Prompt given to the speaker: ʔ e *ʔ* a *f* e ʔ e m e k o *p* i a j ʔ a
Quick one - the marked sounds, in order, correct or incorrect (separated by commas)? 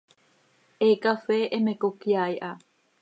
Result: incorrect, correct, incorrect